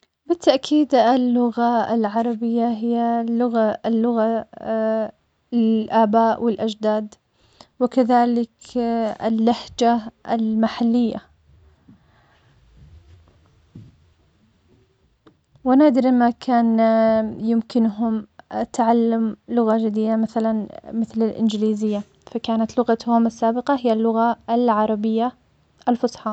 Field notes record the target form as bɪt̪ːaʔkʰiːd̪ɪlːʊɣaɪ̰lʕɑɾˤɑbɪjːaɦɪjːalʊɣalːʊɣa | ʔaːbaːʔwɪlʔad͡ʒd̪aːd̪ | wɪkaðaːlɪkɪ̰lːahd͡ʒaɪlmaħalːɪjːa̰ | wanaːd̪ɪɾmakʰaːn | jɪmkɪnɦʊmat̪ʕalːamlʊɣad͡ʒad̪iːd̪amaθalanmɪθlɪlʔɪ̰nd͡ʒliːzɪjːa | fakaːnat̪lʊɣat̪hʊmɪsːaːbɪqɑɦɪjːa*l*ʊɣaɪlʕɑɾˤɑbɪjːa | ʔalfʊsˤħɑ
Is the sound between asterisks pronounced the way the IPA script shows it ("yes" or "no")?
no